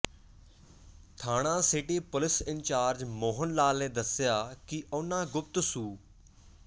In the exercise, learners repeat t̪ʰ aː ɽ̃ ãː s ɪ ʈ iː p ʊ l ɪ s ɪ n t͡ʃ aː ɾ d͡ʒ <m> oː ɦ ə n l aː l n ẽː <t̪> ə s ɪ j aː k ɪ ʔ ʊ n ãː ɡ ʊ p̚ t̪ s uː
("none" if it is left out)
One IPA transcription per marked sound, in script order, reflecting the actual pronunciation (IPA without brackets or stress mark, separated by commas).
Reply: m, d̪